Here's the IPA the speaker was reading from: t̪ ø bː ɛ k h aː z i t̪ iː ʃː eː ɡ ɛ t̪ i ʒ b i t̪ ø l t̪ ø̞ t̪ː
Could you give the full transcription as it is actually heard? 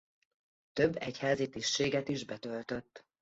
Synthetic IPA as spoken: t̪ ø bː ɛ c h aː z i t̪ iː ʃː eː ɡ ɛ t̪ i ʒ b ɛ t̪ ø l t̪ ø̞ t̪ː